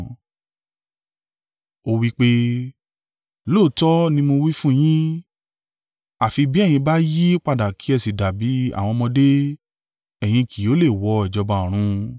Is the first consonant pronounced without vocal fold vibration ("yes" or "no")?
no